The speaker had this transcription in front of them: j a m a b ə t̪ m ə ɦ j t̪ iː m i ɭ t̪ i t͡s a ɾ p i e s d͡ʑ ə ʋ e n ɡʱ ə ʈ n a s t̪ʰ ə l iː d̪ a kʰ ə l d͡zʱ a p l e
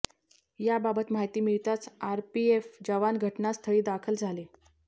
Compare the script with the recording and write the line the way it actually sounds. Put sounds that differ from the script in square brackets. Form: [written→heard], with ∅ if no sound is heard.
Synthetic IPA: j a [m→b] a b ə t̪ m [ə→a] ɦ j t̪ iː m i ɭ t̪ [i→a] t͡s a ɾ p i e [s→f] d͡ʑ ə ʋ [e→a] n ɡʱ ə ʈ n a s t̪ʰ ə [l→ɭ] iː d̪ a kʰ ə l d͡zʱ a [p→∅] l e